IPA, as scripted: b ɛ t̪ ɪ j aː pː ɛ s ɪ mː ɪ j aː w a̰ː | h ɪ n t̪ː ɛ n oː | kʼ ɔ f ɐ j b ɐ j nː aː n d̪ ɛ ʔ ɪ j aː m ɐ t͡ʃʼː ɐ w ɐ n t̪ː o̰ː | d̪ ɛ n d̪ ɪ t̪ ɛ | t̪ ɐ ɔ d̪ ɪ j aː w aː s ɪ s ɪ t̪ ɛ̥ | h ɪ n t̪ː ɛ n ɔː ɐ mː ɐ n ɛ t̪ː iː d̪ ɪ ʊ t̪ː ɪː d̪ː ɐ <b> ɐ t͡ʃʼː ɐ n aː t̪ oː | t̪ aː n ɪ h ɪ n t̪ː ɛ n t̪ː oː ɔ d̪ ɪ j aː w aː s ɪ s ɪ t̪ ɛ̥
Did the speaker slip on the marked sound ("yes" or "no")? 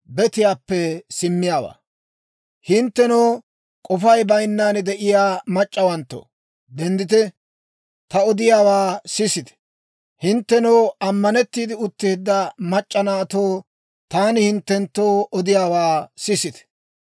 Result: yes